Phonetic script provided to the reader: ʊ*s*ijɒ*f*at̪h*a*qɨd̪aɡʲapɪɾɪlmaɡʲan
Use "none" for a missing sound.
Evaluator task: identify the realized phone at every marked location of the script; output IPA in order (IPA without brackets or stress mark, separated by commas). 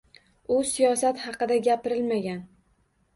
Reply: s, s, ɑ